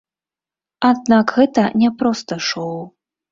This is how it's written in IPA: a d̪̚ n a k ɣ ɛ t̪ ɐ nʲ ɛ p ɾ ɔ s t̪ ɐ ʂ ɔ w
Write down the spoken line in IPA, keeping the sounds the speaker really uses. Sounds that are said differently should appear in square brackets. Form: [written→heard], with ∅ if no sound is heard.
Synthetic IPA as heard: a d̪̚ n a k ɣ ɛ t̪ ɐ nʲ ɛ p ɾ ɔ s t̪ ɐ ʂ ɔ w